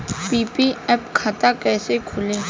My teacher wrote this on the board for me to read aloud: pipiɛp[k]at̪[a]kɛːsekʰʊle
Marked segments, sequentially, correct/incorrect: incorrect: kʰ, correct

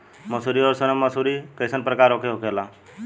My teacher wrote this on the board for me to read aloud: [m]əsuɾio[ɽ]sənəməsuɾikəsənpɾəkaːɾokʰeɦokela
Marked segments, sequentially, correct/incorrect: correct, incorrect: ɾ

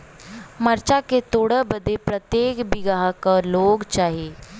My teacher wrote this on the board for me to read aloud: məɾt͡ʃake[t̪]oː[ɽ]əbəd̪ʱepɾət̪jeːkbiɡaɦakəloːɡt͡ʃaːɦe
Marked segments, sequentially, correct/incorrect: correct, correct

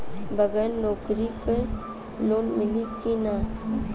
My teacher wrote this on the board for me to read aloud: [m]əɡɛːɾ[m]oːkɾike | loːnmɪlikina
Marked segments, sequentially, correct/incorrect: incorrect: b, incorrect: n

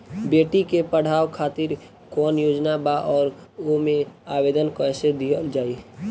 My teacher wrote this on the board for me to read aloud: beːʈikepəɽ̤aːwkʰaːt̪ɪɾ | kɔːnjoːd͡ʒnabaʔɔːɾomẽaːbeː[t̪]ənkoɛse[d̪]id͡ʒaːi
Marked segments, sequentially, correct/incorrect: incorrect: d̪, correct

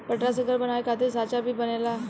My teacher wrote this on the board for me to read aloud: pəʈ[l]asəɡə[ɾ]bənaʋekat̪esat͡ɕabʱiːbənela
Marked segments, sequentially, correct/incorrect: incorrect: ɾ, correct

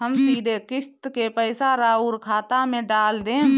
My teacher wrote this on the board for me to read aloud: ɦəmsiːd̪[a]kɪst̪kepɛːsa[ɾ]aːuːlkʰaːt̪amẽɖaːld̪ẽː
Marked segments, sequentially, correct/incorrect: incorrect: e, correct

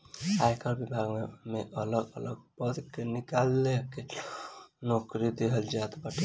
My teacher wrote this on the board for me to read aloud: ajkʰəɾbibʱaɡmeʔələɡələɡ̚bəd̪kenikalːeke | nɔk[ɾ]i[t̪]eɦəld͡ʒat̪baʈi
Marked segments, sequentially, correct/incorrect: correct, incorrect: d̪

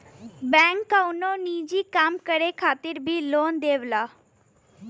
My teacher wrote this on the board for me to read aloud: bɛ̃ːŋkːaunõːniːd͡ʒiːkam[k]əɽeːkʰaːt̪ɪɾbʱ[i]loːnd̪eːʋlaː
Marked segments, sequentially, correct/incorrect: correct, incorrect: iː

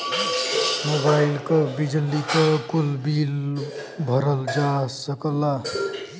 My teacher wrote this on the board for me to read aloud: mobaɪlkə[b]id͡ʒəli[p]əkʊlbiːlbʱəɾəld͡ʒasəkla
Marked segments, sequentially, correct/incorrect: correct, incorrect: k

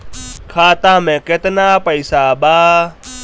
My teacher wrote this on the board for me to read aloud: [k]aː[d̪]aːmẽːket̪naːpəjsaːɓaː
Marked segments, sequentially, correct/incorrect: incorrect: kʰ, incorrect: t̪

